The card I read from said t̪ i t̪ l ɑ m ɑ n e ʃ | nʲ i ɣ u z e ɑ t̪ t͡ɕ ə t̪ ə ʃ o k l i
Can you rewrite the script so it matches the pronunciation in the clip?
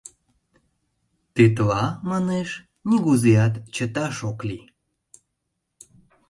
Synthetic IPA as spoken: t̪ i t̪ l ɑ m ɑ n e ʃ | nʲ i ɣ u z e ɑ t̪ t͡ɕ ə t̪ ɑ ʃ o k l i